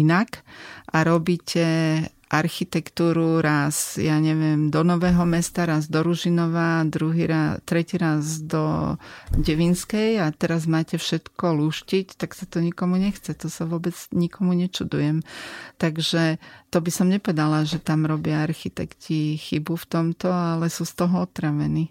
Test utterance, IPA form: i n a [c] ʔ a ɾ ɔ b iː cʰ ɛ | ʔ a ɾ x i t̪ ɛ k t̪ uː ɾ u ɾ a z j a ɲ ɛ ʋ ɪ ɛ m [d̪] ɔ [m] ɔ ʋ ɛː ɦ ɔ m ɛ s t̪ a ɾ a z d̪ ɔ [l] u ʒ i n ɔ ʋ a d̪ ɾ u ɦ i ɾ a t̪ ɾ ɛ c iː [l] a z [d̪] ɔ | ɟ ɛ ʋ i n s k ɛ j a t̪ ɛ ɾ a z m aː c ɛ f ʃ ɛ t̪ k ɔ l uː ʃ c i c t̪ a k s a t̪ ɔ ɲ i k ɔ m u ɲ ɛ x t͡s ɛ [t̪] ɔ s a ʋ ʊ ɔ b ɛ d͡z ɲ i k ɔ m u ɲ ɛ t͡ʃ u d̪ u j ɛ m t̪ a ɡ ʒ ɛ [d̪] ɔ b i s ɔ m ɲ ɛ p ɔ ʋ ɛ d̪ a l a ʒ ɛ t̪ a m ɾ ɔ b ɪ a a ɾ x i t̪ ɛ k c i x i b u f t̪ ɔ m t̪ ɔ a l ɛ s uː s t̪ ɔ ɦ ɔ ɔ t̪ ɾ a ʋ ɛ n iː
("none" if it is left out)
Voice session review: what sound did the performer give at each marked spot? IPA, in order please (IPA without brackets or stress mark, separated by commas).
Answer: k, d̪, n, ɾ, ɾ, d̪, t̪, t̪